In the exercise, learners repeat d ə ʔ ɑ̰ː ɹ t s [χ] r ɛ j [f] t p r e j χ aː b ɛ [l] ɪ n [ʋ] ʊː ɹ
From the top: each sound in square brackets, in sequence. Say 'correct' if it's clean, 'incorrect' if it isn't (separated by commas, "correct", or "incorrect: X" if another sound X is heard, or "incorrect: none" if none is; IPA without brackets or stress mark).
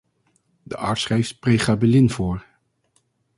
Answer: correct, correct, correct, incorrect: v